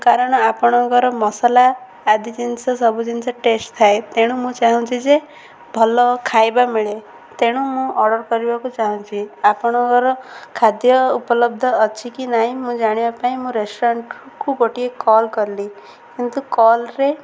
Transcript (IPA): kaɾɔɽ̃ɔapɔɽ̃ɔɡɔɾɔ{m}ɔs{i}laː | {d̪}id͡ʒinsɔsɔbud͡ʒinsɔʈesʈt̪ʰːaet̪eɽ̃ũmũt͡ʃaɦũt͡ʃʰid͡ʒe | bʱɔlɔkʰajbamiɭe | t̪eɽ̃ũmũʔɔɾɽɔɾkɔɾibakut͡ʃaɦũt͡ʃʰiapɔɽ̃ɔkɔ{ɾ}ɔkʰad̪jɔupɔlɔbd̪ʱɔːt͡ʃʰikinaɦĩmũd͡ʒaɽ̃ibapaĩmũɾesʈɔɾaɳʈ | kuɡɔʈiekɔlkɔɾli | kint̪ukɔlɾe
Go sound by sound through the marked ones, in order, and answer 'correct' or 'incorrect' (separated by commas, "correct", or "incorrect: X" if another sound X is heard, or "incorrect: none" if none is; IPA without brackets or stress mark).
correct, incorrect: a, correct, correct